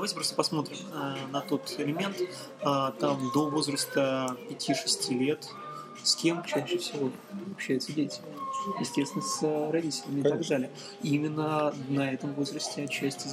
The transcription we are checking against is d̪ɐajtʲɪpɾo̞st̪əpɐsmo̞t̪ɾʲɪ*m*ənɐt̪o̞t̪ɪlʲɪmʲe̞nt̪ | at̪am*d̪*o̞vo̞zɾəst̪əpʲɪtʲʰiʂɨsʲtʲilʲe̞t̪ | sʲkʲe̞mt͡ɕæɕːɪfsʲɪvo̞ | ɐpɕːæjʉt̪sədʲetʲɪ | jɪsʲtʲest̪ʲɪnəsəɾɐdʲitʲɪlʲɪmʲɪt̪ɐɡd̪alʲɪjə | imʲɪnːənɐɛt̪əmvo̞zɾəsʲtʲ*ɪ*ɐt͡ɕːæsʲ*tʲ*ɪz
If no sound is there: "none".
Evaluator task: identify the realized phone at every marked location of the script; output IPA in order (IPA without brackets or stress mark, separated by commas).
m, d̪, ɪ, tʲ